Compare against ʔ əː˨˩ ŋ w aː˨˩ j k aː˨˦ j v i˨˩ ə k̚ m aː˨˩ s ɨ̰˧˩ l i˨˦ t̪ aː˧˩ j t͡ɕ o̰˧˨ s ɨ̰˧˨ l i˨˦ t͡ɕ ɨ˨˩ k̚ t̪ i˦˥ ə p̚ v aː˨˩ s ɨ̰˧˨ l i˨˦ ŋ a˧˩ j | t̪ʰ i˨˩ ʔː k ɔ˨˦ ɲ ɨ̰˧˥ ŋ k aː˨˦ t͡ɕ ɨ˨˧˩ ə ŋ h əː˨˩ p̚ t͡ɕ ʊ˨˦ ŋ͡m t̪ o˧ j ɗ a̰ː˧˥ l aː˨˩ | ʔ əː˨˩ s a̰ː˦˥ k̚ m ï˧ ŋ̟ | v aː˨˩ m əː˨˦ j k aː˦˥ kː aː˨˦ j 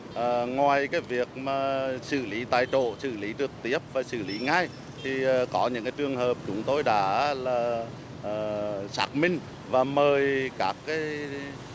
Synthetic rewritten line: ʔ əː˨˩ ŋ w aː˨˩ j k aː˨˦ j v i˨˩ ə k̚ m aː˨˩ s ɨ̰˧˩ l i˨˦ t̪ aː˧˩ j t͡ɕ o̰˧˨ s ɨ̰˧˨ l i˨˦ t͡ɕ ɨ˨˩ k̚ t̪ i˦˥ ə p̚ v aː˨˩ s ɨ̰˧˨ l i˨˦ ŋ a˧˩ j | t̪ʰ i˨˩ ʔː k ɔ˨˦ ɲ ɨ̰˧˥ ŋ k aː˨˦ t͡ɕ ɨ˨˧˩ ə ŋ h əː˨˩ p̚ t͡ɕ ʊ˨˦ ŋ͡m t̪ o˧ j ɗ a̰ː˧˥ l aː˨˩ | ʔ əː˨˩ s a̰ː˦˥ k̚ m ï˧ ŋ̟ | v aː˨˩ m əː˨˩ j k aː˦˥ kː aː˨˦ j